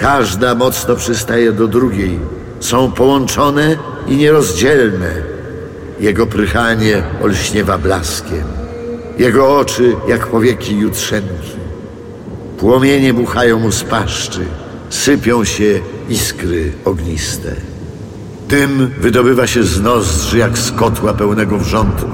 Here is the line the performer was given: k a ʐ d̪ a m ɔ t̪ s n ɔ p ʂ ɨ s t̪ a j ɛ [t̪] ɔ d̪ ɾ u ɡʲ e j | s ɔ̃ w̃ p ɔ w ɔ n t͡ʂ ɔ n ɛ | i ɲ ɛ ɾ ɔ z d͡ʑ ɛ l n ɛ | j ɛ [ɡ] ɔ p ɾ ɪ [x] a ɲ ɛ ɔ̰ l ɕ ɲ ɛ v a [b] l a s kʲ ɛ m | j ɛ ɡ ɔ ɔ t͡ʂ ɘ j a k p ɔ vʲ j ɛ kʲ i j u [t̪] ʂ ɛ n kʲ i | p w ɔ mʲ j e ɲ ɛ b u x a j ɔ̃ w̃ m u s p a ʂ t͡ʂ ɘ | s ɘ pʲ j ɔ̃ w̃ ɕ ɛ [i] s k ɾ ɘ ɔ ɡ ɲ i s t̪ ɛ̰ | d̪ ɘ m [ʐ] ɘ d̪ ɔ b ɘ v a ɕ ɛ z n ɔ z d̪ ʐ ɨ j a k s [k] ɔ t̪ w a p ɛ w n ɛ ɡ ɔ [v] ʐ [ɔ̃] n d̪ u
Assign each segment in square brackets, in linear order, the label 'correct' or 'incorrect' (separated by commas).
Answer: incorrect, correct, correct, correct, correct, correct, incorrect, correct, correct, incorrect